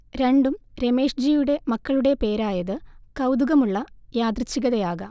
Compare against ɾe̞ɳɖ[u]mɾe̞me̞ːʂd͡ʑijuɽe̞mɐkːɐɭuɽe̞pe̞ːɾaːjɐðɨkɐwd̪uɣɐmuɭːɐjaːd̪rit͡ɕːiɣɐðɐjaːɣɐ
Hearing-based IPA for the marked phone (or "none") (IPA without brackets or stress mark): u